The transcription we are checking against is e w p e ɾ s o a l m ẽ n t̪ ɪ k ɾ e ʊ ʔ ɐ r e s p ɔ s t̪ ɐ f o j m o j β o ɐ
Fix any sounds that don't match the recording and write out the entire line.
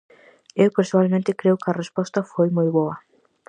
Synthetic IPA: e w p e ɾ s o a l m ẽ n t̪ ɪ k ɾ e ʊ k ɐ r e s p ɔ s t̪ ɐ f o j m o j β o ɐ